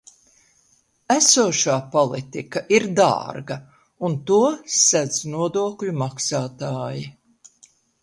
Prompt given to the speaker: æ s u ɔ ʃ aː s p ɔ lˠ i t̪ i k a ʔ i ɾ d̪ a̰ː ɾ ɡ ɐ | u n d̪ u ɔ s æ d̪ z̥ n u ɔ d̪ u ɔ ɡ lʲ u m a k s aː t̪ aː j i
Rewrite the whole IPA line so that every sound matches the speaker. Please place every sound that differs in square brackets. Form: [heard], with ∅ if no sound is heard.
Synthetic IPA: æ s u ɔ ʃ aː [∅] p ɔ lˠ i t̪ i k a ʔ i ɾ d̪ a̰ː ɾ ɡ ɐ | u n [t̪] u ɔ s æ d̪ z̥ n u ɔ d̪ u ɔ [k] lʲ u m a k s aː t̪ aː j i